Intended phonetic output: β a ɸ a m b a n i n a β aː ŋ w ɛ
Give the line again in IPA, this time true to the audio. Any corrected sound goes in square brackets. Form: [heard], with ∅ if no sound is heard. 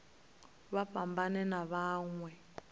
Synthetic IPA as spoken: β a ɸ a m b a n [ɛ] n a β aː ŋ w ɛ

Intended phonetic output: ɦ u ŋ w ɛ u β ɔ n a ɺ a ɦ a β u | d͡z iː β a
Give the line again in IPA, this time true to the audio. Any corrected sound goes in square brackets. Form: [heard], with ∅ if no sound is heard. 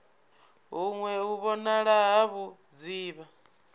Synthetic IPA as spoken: ɦ u ŋ w ɛ u β ɔ n a ɺ a ɦ a β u | d͡z iː β a

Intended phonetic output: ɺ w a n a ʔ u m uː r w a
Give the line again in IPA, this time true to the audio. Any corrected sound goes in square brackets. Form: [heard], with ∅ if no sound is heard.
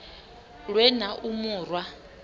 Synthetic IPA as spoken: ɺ w [ɛ] n a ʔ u m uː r w a

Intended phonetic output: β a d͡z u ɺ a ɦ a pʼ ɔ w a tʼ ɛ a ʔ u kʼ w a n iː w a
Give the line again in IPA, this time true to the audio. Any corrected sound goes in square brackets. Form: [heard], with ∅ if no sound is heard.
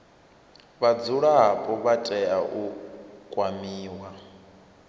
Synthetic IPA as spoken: β a d͡z u ɺ a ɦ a pʼ ɔ [β] a tʼ ɛ a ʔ u kʼ w a [m] iː w a

